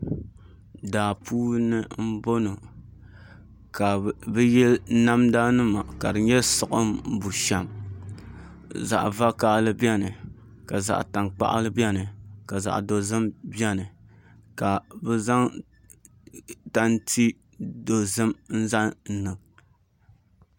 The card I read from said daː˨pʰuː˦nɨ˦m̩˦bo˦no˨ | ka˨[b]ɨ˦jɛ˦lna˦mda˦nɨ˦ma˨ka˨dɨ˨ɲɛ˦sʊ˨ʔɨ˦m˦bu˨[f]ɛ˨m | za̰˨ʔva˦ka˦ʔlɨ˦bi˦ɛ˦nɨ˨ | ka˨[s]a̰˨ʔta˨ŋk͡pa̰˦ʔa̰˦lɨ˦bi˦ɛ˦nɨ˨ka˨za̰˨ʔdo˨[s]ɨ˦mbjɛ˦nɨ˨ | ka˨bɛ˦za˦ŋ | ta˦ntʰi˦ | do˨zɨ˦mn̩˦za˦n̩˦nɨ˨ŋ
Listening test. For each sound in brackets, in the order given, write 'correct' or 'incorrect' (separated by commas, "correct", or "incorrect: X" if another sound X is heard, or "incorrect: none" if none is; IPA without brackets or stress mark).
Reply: correct, incorrect: ʃ, incorrect: z, incorrect: z